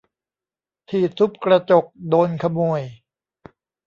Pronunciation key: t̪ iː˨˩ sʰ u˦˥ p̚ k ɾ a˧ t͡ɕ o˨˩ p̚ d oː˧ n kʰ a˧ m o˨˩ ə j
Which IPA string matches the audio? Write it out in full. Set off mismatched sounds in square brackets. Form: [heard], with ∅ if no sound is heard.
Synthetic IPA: [t̪ʰ] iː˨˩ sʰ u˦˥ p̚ k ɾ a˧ t͡ɕ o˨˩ [k̚] d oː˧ n kʰ a˧ m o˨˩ ə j